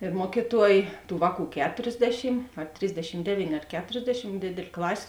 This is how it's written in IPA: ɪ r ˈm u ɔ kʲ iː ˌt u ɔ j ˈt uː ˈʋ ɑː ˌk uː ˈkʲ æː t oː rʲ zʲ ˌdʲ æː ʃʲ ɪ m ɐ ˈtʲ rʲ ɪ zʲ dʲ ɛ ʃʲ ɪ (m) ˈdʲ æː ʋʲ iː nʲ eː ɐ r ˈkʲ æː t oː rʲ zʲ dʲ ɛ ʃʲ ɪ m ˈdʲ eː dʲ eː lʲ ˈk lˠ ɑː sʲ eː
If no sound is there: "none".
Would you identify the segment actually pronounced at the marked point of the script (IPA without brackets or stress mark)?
m